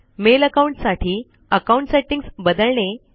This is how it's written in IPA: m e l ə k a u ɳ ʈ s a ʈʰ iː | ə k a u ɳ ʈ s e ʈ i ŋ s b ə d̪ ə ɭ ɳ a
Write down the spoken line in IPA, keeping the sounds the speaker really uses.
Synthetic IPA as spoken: m e l ə k a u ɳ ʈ s a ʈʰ iː | ə k a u ɳ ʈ s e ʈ i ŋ s b ə d̪ ə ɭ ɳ e